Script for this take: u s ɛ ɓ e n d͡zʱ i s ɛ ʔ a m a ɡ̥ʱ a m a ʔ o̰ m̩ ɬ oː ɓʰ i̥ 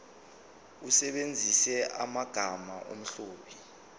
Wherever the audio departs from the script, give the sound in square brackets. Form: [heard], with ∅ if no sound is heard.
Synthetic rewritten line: u s ɛ ɓ e n d͡zʱ i s ɛ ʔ a m a ɡ̥ʱ a m a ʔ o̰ m̩ ɬ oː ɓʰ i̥